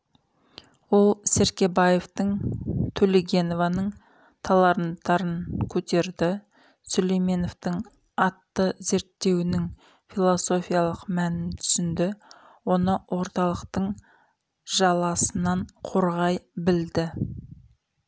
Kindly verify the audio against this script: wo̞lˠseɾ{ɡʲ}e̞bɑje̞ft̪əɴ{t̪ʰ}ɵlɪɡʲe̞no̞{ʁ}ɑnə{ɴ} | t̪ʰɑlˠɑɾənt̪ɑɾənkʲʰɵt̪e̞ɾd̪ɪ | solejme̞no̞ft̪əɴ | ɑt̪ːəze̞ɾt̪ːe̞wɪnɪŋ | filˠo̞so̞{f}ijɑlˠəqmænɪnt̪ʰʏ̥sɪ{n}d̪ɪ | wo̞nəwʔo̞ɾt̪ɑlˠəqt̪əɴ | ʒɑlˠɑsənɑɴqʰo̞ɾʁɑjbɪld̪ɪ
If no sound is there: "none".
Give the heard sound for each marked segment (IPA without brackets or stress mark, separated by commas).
kʲ, t̪ʰ, v, ɴ, f, n